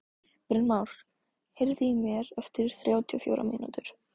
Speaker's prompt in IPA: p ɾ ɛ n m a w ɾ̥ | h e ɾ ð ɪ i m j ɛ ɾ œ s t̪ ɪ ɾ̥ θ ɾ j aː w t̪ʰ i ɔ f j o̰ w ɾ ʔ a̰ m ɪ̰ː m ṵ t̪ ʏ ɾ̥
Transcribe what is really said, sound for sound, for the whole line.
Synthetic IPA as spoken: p ɾ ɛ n m a w ɾ̥ | h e ɾ ð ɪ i m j ɛ ɾ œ f t̪ ɪ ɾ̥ θ ɾ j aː w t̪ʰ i ɔ f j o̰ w ɾ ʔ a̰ m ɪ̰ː n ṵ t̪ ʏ ɾ̥

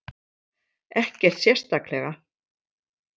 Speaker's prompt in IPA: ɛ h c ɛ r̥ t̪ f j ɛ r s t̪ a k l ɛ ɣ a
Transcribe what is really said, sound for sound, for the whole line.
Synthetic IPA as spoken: ɛ h c ɛ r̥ t̪ s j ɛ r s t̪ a k l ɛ ɣ a

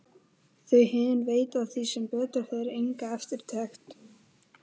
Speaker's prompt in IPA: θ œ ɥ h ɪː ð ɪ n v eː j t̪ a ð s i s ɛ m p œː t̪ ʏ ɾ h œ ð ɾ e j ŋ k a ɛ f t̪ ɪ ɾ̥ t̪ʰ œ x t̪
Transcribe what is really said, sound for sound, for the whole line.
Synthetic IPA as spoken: θ œ ɥ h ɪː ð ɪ n v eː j t̪ a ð θ i s ɛ m p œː t̪ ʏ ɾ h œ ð ɾ e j ŋ k a ɛ f t̪ ɪ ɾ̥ t̪ʰ ɛ x t̪

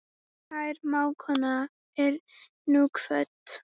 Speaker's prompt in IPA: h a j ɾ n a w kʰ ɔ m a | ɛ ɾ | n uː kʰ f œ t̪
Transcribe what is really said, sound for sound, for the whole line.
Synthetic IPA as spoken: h a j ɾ m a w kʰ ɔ n a | ɛ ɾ | n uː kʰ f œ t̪

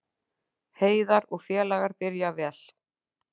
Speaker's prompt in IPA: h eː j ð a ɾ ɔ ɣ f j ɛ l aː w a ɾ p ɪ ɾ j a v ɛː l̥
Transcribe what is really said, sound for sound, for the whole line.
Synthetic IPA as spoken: h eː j ð a ɾ ɔ ɣ f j ɛː l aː ɣ a ɾ p ɪ ɾ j a v ɛː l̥

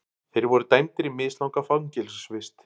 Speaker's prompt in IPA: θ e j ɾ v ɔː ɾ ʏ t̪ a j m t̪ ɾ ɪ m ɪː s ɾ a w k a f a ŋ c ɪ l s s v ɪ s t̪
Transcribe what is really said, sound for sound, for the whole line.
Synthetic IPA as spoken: θ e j ɾ v ɔ ɾ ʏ t̪ a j m t̪ ɾ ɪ m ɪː s l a w k a f a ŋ c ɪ l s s v ɪ s t̪

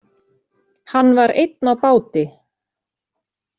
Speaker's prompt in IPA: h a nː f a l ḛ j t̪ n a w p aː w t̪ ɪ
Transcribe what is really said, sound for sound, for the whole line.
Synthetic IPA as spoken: h a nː v a ɾ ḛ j t̪ n a w p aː w t̪ ɪ

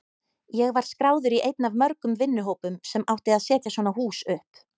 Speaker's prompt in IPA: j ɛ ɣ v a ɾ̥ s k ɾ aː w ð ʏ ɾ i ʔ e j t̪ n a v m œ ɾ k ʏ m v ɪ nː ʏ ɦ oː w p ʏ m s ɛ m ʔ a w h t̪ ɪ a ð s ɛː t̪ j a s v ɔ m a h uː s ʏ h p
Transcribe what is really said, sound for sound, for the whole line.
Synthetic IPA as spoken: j ɛ ɣ v a ɾ̥ s k ɾ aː w ð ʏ ɾ i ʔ e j t̪ n a v m œ ɾ k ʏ m v ɪ nː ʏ ɦ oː w p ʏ m s ɛ m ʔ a w h t̪ ɪ a ð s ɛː t̪ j a s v ɔ n a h uː s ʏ h p

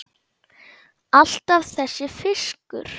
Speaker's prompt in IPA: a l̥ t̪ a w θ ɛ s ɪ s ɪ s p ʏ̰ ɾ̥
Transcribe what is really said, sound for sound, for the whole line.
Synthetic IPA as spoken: a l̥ t̪ a v θ ɛ sː ɪ f ɪ s k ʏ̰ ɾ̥

